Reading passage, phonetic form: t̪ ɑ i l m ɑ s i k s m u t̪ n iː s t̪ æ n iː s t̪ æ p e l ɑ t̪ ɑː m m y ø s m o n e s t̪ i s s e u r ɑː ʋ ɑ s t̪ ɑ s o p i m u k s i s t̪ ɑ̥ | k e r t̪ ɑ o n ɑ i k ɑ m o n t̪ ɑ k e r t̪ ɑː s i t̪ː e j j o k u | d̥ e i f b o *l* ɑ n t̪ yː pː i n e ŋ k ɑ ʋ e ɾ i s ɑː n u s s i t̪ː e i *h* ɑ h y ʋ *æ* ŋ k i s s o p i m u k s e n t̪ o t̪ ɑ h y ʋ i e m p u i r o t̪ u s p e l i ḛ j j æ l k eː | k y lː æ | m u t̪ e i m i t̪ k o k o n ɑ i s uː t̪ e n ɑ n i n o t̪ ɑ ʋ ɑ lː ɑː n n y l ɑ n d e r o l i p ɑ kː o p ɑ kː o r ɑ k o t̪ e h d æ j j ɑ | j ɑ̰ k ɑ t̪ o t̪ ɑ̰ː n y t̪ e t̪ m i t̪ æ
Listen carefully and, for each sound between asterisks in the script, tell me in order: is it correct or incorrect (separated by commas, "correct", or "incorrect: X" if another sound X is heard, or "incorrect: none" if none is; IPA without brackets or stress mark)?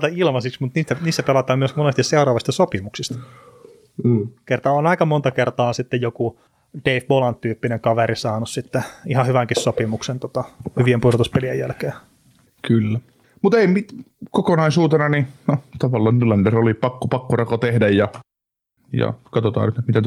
correct, correct, correct